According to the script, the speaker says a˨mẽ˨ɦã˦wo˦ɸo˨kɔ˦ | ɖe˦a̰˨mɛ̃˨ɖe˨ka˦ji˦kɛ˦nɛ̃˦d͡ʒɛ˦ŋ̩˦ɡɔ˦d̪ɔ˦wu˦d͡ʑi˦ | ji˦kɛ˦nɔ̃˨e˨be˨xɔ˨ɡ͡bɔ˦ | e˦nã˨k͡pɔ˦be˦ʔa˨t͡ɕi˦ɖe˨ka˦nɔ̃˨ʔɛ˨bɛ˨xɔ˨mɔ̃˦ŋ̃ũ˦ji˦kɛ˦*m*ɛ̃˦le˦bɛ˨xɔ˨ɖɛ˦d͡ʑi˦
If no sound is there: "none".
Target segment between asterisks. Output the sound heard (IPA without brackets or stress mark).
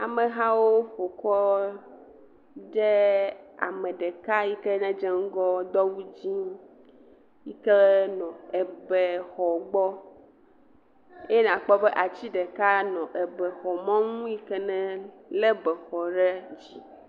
n